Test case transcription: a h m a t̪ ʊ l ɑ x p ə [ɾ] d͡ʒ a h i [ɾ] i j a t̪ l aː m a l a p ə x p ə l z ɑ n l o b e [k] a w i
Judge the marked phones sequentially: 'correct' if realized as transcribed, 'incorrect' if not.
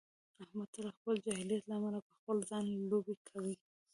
incorrect, incorrect, incorrect

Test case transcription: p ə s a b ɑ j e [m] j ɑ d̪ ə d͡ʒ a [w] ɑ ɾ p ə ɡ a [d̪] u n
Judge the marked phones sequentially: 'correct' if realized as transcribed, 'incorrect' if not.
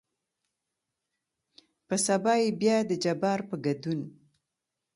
incorrect, incorrect, correct

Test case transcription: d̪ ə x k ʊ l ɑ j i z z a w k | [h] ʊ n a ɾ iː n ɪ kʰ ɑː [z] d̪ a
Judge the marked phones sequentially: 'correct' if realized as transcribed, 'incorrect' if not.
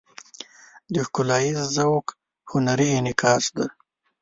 correct, incorrect

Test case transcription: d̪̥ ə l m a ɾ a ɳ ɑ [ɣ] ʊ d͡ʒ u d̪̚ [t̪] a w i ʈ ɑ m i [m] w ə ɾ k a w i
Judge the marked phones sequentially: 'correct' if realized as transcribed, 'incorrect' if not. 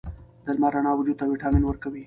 incorrect, correct, incorrect

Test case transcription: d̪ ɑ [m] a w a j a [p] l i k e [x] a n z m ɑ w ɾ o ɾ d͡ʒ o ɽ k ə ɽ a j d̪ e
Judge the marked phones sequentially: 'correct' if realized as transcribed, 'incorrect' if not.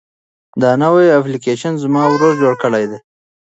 incorrect, correct, incorrect

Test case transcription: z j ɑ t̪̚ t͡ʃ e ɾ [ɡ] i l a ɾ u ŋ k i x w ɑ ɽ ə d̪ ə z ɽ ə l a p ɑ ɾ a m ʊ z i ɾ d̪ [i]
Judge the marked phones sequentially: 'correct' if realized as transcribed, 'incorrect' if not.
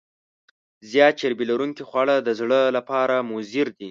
incorrect, correct

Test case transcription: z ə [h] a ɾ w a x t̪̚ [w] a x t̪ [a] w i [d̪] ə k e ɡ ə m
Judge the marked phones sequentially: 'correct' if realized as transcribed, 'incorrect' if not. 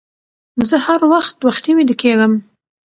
correct, correct, incorrect, correct

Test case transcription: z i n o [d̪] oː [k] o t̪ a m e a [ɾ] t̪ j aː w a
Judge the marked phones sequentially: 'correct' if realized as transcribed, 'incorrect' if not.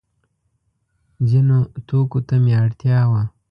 incorrect, correct, incorrect

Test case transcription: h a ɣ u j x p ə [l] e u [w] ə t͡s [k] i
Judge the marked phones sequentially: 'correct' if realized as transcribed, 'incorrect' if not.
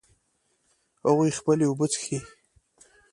correct, incorrect, incorrect

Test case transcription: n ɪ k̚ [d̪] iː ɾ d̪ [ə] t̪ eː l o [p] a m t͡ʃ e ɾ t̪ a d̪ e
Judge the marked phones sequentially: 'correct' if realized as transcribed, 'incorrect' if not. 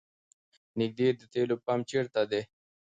correct, correct, correct

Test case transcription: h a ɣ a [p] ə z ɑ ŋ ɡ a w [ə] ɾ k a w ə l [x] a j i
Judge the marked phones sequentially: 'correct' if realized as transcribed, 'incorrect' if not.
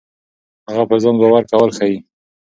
correct, incorrect, correct

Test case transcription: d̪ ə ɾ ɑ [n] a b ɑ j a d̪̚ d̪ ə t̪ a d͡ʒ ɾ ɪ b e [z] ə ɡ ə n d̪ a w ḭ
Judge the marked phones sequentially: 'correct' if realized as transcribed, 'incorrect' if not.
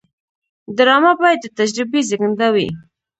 incorrect, correct

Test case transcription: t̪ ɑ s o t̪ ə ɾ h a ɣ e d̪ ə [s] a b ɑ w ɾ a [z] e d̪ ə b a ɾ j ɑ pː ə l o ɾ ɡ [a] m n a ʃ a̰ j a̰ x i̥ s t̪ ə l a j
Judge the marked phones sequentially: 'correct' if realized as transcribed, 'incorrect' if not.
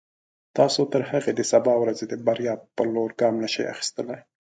correct, correct, incorrect

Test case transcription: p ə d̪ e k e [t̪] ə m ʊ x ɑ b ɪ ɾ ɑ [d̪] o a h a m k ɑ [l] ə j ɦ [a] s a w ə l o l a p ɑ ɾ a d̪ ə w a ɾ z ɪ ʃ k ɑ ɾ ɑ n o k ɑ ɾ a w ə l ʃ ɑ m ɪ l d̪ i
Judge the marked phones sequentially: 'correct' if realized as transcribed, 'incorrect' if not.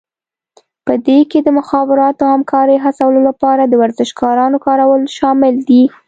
incorrect, incorrect, incorrect, correct

